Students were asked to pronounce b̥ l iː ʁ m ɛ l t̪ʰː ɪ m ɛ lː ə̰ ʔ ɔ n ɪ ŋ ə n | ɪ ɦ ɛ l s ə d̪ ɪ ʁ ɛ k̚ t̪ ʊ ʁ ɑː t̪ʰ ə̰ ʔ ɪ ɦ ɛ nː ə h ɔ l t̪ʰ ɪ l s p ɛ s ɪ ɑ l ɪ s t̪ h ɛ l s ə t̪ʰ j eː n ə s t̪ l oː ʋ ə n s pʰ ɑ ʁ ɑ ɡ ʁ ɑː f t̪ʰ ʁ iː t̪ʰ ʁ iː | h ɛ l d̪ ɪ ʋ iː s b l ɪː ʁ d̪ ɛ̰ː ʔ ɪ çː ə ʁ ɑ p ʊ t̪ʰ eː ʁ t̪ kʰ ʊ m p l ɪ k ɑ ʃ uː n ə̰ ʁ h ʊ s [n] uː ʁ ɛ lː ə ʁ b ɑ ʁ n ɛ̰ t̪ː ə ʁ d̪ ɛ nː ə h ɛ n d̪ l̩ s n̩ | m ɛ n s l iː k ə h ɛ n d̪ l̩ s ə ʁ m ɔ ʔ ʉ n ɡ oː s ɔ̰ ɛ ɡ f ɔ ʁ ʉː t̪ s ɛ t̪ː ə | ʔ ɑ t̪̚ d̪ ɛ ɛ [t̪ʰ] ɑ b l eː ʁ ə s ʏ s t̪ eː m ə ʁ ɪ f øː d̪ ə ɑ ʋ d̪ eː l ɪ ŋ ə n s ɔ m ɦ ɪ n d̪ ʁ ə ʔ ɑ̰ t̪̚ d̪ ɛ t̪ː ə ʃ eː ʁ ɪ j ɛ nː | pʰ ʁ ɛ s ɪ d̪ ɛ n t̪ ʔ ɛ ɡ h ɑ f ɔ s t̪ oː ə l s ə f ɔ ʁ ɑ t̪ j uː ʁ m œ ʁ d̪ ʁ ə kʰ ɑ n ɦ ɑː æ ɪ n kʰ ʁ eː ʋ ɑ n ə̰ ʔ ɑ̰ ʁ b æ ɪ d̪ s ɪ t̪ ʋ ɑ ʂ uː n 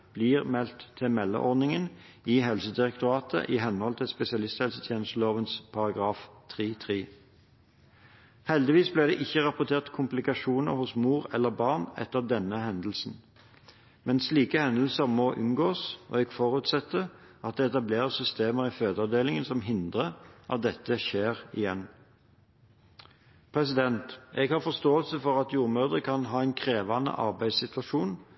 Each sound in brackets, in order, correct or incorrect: incorrect: m, incorrect: t̪

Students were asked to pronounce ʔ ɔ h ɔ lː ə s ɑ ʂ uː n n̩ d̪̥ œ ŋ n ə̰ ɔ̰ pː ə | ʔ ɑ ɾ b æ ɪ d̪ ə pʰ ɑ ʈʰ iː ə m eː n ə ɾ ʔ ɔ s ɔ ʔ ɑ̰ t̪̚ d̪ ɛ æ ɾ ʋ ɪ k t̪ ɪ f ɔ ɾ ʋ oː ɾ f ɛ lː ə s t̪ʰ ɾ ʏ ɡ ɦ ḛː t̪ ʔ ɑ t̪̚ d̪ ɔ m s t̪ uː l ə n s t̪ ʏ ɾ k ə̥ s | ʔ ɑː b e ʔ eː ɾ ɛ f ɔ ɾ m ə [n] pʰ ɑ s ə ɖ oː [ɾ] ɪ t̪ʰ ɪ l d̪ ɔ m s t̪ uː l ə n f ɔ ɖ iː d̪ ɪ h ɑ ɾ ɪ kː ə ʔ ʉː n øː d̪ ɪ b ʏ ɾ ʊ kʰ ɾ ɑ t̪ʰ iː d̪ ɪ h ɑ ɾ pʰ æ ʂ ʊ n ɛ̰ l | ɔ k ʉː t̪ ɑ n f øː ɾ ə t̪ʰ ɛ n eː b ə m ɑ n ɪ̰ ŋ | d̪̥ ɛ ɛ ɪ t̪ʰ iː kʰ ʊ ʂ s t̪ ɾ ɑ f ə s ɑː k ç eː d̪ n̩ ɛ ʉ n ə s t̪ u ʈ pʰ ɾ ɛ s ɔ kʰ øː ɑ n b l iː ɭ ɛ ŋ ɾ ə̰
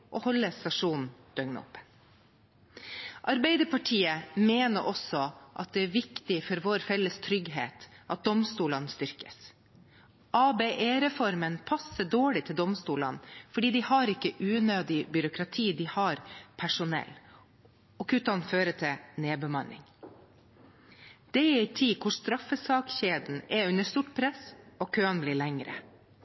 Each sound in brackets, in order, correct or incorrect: correct, incorrect: ɭ

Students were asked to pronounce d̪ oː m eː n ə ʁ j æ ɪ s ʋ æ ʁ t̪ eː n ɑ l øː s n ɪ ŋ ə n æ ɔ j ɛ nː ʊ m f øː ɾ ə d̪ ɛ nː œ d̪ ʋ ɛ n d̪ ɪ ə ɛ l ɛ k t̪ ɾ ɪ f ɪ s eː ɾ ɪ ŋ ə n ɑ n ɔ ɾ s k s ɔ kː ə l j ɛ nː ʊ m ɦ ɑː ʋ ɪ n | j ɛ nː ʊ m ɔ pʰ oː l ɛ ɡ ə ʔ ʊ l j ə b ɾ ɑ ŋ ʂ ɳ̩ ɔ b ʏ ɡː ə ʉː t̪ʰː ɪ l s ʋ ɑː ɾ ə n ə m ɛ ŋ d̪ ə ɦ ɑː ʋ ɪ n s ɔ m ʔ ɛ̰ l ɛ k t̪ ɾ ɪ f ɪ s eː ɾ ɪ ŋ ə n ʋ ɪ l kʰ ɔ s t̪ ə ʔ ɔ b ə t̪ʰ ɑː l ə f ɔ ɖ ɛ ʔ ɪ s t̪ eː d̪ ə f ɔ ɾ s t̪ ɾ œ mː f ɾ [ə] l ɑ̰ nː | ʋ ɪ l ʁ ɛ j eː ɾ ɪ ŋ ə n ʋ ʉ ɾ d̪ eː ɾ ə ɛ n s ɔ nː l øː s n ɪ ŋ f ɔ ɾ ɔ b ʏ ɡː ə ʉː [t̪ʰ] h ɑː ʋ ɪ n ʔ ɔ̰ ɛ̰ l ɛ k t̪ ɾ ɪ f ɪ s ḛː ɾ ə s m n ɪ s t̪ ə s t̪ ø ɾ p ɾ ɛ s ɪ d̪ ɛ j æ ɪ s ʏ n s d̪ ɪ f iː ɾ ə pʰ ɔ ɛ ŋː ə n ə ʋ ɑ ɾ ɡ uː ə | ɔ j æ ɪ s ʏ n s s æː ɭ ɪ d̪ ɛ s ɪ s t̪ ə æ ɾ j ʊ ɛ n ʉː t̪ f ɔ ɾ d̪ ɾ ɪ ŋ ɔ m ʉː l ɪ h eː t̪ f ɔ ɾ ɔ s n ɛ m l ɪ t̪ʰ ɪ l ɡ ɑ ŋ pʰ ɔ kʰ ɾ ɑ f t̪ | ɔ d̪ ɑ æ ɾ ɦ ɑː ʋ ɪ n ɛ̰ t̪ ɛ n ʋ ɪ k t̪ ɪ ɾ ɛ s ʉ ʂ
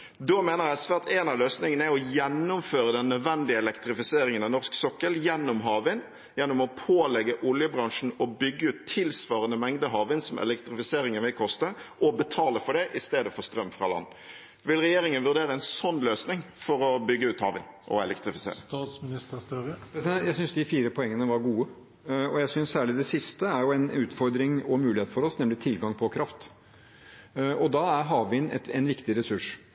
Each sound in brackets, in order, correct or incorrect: incorrect: ɑ, incorrect: t̪

